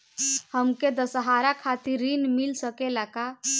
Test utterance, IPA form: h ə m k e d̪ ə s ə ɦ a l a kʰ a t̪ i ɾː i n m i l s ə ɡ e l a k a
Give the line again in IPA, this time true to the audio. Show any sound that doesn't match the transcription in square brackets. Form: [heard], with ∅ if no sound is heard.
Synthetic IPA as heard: h ə m k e d̪ ə s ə ɦ a [ɾ] a kʰ a t̪ i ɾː i n m i l s ə [k] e l a k a

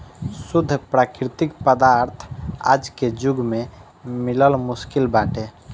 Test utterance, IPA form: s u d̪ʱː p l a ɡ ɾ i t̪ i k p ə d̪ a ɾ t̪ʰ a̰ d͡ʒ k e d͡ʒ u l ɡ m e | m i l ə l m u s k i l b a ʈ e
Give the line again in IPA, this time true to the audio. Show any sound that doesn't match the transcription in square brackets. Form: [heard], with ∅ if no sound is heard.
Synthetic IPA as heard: s u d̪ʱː p [ɾ] a [k] ɾ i t̪ i k p ə d̪ a ɾ t̪ʰ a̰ d͡ʒ k e d͡ʒ u [∅] ɡ m e | m i l ə l m u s k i l b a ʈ e

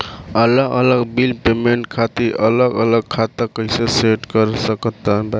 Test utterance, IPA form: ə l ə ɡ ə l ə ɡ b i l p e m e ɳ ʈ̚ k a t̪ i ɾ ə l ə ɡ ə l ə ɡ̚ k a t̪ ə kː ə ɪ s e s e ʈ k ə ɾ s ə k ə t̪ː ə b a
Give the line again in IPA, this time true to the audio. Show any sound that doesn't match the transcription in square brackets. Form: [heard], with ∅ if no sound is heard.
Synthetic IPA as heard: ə l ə ɡ ə l ə ɡ b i l p e m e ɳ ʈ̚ [kʰ] a t̪ i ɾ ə l ə ɡ ə l ə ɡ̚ [kʰ] a t̪ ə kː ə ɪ s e s e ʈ k ə ɾ s ə k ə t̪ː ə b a

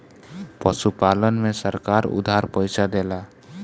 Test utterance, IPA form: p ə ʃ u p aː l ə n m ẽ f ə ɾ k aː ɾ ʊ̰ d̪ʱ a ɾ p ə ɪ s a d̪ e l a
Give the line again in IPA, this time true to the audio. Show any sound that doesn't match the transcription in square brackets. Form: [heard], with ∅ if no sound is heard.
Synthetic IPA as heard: p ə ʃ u p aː l ə n m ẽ [s] ə ɾ k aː ɾ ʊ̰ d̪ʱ a ɾ p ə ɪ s a d̪ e l a

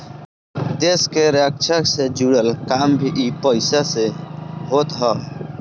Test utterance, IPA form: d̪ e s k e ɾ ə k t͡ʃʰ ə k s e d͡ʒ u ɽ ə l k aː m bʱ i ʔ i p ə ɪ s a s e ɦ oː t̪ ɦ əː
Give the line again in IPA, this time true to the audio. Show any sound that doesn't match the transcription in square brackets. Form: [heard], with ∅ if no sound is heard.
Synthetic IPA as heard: d̪ e s k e ɾ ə k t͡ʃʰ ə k s e d͡ʒ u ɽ ə l k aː m bʱ i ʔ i p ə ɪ s a s e ɦ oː t̪ ɦ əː

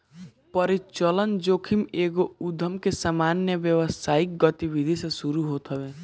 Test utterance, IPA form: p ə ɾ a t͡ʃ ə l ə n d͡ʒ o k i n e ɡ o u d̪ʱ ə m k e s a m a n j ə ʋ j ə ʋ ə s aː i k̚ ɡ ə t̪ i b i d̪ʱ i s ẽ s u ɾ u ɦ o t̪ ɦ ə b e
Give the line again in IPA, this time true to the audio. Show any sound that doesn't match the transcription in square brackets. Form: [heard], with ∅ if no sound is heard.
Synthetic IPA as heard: p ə ɾ [i] t͡ʃ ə l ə n d͡ʒ o [kʰ] i [m] e ɡ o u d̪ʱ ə m k e s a m a n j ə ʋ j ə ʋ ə s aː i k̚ ɡ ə t̪ i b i d̪ʱ i s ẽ s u ɾ u ɦ o t̪ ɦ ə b e

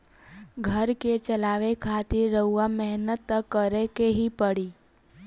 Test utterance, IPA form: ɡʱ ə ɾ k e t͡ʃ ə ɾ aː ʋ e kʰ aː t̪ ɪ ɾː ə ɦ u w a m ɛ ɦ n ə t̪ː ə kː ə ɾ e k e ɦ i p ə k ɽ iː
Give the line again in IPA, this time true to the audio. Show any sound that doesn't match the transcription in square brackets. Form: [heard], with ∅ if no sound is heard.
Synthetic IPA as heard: ɡʱ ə ɾ k e t͡ʃ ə [l] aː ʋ e kʰ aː t̪ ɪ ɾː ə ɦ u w a m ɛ ɦ n ə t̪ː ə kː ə ɾ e k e ɦ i p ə [∅] ɽ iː

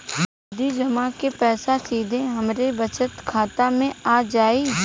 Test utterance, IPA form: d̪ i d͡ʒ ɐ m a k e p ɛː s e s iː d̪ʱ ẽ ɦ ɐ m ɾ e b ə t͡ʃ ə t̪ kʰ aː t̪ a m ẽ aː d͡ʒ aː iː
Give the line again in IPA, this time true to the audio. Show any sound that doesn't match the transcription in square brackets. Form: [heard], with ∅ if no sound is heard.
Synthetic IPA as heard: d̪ i d͡ʒ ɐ m a k e p ɛː s [a] s iː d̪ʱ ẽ ɦ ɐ m ɾ e b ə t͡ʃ ə t̪ kʰ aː t̪ a m ẽ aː d͡ʒ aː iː

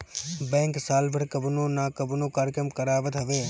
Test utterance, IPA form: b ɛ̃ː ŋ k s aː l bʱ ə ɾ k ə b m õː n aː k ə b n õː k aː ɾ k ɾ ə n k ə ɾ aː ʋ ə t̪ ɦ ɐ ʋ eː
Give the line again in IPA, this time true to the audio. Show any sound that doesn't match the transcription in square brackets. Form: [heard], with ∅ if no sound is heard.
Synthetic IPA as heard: b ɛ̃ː ŋ k s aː l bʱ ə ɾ k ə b [n] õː n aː k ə b n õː k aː ɾ k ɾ ə [m] k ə ɾ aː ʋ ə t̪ ɦ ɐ ʋ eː

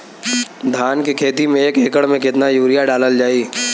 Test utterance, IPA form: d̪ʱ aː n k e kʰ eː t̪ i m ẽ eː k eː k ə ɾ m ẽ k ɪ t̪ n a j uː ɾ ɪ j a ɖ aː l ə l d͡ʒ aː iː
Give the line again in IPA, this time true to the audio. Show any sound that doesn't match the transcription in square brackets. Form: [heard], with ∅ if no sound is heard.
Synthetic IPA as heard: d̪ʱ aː n k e kʰ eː t̪ i m ẽ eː k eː k ə [ɽ] m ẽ k ɪ t̪ n a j uː ɾ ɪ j a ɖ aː l ə l d͡ʒ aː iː

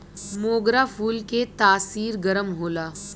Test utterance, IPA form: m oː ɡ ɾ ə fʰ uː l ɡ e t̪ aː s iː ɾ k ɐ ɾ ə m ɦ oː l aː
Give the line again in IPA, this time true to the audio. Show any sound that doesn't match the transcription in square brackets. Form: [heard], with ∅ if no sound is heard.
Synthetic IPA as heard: m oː ɡ ɾ [a] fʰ uː l [k] e t̪ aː s iː ɾ [ɡ] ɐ ɾ ə m ɦ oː l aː

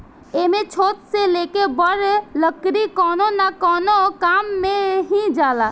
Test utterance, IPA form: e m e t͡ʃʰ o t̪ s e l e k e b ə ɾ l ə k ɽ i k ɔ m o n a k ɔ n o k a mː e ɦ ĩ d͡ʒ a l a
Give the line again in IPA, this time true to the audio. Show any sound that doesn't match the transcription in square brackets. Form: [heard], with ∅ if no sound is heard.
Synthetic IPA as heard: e m e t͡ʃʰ o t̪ s e l e k e b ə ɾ l ə k [ɾ] i k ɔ [n] o n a k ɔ n o k a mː e ɦ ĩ d͡ʒ a l a

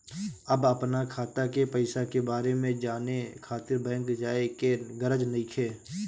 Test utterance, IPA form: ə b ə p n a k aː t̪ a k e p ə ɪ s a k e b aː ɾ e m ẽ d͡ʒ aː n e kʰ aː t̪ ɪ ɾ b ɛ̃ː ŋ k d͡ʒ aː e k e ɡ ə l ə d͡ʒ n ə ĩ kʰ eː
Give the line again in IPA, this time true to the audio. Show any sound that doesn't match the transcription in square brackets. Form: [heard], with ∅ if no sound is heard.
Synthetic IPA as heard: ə b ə p n a [kʰ] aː t̪ a k e p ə ɪ s a k e b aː ɾ e m ẽ d͡ʒ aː n e kʰ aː t̪ ɪ ɾ b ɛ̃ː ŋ k d͡ʒ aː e k e ɡ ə [ɾ] ə d͡ʒ n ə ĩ kʰ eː

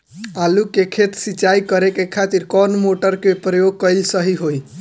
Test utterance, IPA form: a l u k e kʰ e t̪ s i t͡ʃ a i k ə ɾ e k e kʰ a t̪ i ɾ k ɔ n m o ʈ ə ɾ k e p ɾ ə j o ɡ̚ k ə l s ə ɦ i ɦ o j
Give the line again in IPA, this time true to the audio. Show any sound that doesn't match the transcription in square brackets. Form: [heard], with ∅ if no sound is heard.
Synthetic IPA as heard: a l u k e kʰ e t̪ s i t͡ʃ a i k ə ɾ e k e kʰ a t̪ i ɾ k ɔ n m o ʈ ə ɾ k e p ɾ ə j o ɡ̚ k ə l s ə ɦ i ɦ o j

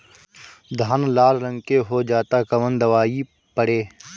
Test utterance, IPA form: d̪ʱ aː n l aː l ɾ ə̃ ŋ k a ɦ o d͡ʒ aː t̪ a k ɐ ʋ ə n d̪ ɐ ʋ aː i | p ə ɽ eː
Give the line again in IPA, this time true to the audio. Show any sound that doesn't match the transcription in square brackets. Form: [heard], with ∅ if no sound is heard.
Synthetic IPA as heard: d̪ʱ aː n l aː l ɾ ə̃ ŋ k [e] ɦ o d͡ʒ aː t̪ a k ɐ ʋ ə n d̪ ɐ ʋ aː i | p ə ɽ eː

